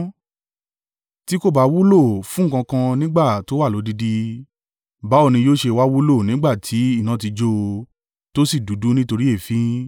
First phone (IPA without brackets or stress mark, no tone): t